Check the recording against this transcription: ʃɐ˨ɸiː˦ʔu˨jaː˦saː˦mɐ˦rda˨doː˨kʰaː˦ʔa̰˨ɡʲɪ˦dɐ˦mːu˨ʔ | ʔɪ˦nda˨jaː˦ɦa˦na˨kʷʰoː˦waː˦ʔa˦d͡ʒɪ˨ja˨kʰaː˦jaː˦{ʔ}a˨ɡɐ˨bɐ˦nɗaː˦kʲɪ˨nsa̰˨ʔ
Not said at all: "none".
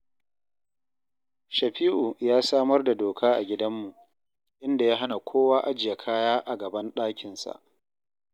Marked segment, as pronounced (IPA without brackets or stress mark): ʔ